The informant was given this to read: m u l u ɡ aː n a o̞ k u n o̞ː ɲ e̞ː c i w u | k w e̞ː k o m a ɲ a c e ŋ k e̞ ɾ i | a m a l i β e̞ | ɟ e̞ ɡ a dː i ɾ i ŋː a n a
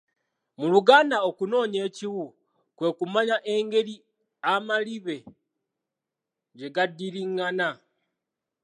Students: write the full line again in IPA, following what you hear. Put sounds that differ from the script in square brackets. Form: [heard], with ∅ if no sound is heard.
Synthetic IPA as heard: m u l u ɡ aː n a o̞ k u n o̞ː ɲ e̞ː c i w u | k w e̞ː k [u] m a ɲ a [ʔ] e ŋ [ɡ] e̞ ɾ i | a m a l i β e̞ | ɟ e̞ ɡ a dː i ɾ i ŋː a n a